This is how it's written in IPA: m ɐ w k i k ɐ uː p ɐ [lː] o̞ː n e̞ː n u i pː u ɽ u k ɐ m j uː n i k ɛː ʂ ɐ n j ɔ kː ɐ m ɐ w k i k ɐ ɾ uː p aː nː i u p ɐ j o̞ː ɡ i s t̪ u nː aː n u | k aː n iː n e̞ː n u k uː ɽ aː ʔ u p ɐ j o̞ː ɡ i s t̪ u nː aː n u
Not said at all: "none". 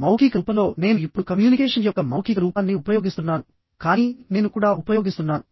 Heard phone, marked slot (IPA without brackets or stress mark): l